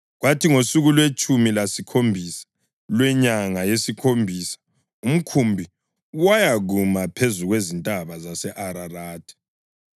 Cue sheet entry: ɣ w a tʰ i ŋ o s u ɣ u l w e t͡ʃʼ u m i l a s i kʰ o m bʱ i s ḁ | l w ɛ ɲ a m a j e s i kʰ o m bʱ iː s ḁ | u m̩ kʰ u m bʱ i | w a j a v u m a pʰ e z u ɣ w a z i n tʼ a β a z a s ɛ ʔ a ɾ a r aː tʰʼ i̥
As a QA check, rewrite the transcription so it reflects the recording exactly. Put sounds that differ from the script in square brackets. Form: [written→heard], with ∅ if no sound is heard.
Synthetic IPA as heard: ɣ w a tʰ i ŋ o s u ɣ u l w e t͡ʃʼ u m i l a s i kʰ o m bʱ i s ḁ | l w ɛ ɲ a [m→ŋ] a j e s i kʰ o m bʱ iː s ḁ | u m̩ kʰ u m bʱ i | w a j a [v→ɣ] u m a pʰ e z u ɣ w [a→e] z i n tʼ a β a z a s ɛ ʔ a ɾ a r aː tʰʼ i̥